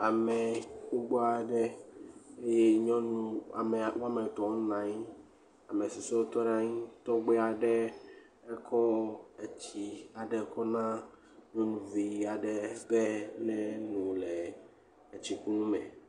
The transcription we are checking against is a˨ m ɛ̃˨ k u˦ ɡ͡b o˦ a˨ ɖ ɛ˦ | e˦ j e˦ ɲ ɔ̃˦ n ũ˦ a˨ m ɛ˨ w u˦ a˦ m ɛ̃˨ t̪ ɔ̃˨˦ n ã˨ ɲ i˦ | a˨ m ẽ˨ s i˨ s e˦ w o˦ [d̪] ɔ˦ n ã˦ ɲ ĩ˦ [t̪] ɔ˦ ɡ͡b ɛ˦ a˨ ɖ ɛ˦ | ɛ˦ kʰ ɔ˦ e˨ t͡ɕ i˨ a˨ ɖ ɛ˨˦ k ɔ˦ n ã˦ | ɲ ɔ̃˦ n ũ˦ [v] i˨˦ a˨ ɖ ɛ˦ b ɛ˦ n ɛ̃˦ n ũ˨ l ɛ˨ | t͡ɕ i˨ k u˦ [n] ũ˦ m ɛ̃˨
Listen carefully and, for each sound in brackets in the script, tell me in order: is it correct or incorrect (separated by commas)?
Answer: incorrect, correct, correct, correct